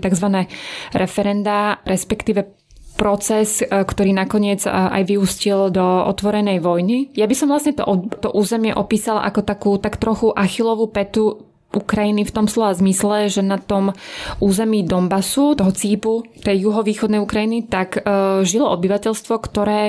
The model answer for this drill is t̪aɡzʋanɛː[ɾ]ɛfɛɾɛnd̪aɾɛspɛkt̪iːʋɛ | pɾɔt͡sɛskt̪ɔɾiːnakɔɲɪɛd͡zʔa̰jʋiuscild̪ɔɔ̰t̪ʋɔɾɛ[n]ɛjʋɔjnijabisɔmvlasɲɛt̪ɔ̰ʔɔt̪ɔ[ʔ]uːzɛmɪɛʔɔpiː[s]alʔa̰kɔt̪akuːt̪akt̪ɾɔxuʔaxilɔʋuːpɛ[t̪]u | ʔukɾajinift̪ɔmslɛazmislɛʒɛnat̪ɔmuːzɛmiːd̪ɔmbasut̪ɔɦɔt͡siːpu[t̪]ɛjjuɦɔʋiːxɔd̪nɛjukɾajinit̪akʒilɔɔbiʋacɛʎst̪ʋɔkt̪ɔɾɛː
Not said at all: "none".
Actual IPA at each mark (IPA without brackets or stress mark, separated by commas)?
ɾ, n, ʔ, s, t̪, t̪